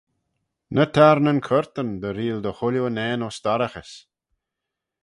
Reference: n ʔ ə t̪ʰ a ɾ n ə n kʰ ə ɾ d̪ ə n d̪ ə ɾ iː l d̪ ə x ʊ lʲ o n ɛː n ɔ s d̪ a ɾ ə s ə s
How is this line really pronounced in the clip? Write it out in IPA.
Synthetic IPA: n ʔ ə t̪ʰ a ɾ n ə n kʰ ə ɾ t̪ ə n d̪ ə ɾ iː l d̪ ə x ʊ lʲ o n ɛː n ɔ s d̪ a ɾ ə x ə s